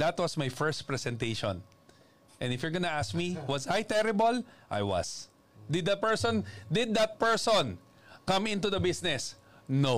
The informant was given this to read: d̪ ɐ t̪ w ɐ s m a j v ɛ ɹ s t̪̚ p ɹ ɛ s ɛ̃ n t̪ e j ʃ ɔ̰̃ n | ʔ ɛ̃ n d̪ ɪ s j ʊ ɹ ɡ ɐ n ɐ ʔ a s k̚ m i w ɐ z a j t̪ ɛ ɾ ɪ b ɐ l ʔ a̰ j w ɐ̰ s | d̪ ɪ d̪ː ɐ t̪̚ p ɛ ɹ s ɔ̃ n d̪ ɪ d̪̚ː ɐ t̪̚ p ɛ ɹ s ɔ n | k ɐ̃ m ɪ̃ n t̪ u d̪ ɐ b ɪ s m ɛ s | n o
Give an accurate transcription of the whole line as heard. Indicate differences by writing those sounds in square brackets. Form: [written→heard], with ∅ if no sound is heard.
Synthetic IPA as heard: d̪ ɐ t̪ w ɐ s m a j [v→f] ɛ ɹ s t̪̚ p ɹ ɛ s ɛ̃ n t̪ e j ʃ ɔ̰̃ n | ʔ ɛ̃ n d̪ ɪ [s→f] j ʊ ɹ ɡ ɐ n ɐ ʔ a s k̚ m i w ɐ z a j t̪ ɛ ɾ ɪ b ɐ l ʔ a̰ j w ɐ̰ s | d̪ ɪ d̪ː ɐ t̪̚ p ɛ ɹ s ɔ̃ n d̪ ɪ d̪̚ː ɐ t̪̚ p ɛ ɹ s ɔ n | k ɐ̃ m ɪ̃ n t̪ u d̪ ɐ b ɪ s [m→n] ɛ s | n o